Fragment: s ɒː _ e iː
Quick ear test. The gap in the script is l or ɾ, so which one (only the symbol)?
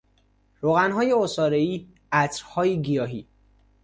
ɾ